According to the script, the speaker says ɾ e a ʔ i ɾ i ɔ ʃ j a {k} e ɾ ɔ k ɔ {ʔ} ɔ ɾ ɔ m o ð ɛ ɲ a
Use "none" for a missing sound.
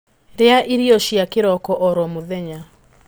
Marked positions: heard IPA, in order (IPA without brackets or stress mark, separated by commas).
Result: k, ʔ